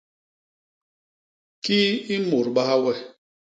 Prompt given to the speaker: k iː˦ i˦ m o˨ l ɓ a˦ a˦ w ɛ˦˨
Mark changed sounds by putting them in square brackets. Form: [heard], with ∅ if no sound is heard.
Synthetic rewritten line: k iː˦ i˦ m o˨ [ɾ] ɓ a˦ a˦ w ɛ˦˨